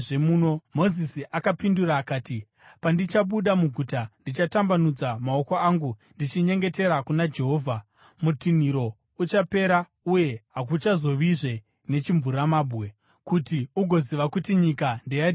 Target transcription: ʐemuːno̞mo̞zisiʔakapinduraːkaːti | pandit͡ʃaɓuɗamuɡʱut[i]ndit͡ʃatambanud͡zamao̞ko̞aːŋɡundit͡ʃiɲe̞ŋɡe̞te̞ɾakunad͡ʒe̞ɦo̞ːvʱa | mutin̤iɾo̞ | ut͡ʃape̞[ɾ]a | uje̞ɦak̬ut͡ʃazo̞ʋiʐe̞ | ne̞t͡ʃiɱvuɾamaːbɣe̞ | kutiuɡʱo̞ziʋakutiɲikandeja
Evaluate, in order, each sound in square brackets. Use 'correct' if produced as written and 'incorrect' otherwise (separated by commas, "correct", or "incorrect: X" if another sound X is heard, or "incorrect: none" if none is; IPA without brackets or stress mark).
incorrect: a, correct